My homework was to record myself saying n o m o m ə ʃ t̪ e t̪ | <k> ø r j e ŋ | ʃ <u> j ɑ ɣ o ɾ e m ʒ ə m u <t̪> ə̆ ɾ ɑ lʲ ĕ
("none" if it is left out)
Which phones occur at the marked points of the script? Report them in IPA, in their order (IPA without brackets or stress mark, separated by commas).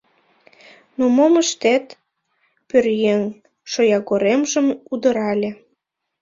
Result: p, o, d̪